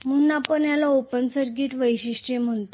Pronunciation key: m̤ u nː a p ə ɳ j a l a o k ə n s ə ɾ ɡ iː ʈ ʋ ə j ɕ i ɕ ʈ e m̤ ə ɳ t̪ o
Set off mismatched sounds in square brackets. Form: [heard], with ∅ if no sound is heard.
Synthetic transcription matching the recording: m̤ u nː a p ə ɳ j a l a o [p] ə n s ə ɾ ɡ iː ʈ ʋ ə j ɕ i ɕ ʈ e m̤ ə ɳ t̪ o